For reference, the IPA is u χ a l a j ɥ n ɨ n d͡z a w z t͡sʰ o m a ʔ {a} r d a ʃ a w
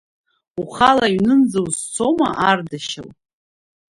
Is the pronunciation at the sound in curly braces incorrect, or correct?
correct